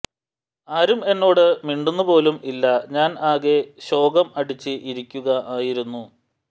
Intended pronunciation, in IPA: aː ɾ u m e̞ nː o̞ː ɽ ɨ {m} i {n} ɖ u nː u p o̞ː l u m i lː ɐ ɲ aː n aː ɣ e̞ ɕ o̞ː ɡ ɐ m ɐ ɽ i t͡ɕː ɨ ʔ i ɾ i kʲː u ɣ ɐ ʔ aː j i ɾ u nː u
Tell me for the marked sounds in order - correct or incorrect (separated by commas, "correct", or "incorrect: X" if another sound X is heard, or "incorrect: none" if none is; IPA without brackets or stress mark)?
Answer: correct, incorrect: ɳ